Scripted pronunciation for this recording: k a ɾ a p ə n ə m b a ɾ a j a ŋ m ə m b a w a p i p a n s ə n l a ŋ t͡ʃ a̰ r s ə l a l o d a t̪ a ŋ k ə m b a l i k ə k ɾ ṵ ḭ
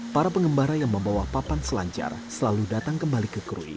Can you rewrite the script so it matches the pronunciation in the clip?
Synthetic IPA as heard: p a ɾ a p ə ŋ ə m b a ɾ a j a ŋ m ə m b a w a p a p a n s ə l a ɲ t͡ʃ a̰ r s ə l a l u d a t̪ a ŋ k ə m b a l i k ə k ɾ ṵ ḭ